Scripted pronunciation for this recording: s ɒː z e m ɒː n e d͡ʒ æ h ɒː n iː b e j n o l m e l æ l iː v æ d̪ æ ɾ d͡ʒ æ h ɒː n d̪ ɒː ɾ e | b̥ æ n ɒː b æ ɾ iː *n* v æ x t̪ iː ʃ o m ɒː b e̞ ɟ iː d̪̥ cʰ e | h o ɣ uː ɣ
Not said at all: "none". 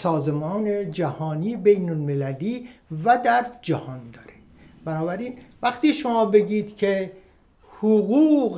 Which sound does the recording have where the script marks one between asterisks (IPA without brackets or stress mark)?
n